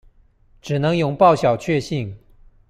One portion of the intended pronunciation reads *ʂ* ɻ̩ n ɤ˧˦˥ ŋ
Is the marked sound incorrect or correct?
incorrect